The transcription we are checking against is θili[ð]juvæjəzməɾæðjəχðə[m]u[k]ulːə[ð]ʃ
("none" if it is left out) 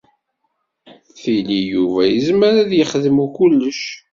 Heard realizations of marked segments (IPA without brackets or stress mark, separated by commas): none, m, k, none